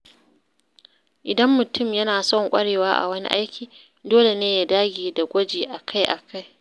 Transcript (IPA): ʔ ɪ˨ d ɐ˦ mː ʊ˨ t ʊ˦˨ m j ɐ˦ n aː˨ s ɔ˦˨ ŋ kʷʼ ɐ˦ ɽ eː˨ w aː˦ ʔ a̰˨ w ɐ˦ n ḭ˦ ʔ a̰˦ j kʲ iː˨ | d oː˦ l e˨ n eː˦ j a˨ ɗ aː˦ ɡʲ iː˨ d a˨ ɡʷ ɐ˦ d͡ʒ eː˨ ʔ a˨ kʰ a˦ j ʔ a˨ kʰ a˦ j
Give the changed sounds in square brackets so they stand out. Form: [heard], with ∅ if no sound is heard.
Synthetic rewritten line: ʔ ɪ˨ d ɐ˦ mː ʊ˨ t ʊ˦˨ m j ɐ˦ n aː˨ s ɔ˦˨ ŋ kʷʼ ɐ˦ ɽ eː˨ w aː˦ ʔ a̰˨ w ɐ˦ n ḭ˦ ʔ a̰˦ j kʲ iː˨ | d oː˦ l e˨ n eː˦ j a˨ [d] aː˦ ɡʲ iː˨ d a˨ ɡʷ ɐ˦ d͡ʒ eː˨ ʔ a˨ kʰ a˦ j ʔ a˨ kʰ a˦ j

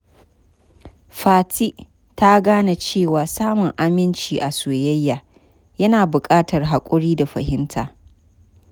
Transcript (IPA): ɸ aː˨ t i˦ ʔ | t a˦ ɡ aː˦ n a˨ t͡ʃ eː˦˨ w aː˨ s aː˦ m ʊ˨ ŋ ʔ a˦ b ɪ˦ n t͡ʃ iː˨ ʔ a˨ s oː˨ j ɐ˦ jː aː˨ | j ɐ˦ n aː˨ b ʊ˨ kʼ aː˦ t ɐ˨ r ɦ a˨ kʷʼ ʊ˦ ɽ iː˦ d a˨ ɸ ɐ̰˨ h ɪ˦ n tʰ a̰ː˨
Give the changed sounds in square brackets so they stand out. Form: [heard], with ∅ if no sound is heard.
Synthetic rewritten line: ɸ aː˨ t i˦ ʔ | t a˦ ɡ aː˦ n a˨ t͡ʃ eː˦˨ w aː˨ s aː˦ m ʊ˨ ŋ ʔ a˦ [m] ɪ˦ n t͡ʃ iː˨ ʔ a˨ s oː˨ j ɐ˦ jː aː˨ | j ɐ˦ n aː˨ b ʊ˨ kʼ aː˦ t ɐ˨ r ɦ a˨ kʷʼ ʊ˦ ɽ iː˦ d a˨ ɸ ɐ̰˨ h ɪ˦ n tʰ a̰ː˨

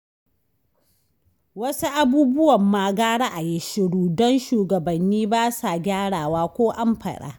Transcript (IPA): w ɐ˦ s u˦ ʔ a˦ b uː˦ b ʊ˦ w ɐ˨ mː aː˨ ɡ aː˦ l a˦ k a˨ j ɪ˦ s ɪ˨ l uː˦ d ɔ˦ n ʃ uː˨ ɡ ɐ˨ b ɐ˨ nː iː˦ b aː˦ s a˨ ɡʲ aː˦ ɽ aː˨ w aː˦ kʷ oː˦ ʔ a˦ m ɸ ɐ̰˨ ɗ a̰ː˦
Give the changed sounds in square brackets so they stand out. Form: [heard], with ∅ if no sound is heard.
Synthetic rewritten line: w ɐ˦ s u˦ ʔ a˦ b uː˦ b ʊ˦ w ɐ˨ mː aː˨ ɡ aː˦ [ɽ] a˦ [ʔ] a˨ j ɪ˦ [ʃ] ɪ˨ [ɽ] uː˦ d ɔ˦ n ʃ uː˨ ɡ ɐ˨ b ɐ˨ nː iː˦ b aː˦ s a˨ ɡʲ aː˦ ɽ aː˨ w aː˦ kʷ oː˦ ʔ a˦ m ɸ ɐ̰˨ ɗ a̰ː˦

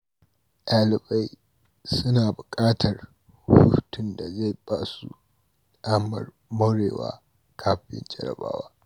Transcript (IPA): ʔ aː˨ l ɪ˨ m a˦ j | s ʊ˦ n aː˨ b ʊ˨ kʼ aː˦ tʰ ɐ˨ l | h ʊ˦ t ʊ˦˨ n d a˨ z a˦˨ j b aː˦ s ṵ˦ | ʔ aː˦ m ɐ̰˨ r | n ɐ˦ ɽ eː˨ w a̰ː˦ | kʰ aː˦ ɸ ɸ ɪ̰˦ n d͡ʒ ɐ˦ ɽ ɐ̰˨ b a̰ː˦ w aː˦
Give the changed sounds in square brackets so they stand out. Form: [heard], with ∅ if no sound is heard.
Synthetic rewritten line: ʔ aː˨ l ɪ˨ [b] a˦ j | s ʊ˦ n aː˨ b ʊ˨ kʼ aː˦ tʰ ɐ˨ [r] | h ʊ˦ t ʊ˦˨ n d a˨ z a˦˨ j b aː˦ s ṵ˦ | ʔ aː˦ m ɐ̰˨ r | [m] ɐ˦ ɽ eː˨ w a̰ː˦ | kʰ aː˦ ɸ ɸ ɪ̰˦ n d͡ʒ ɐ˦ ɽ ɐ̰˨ b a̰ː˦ w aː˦

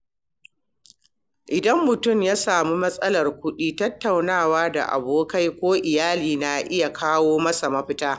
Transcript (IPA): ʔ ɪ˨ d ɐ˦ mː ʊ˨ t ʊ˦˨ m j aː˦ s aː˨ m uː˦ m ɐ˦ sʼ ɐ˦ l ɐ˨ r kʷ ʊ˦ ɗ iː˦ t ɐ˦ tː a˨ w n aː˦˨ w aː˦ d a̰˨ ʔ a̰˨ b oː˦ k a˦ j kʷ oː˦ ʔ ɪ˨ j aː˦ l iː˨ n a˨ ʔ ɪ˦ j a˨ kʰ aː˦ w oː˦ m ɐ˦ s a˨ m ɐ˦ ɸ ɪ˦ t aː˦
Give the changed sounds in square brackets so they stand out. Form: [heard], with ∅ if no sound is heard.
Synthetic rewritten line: ʔ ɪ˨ d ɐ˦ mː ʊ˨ t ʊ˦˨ m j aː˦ s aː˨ m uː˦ m ɐ˦ sʼ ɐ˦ l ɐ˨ r kʷ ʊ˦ ɗ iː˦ t ɐ˦ tː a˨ w n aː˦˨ w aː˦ d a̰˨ ʔ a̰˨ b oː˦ k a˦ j kʷ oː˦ ʔ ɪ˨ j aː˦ l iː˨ n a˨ ʔ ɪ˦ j a˨ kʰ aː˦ w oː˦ m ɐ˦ s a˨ m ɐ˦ ɸ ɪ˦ t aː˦

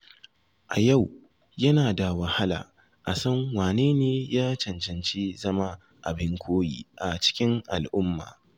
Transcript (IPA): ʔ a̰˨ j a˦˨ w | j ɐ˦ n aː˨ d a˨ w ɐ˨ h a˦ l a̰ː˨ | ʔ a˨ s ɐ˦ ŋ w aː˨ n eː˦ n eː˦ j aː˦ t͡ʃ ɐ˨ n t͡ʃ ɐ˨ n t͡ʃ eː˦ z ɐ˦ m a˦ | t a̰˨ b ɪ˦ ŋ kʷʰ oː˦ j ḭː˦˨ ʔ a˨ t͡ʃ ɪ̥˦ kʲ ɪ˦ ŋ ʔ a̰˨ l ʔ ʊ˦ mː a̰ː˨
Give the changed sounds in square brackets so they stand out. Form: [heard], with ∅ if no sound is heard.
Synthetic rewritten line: ʔ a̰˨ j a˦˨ w | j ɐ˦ n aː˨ d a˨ w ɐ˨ h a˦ l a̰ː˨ | ʔ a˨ s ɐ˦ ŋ w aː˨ n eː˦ n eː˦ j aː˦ t͡ʃ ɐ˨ n t͡ʃ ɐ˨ n t͡ʃ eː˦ z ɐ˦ m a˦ | [ʔ] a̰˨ b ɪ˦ ŋ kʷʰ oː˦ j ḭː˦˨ ʔ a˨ t͡ʃ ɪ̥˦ kʲ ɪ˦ ŋ ʔ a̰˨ l ʔ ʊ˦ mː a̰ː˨

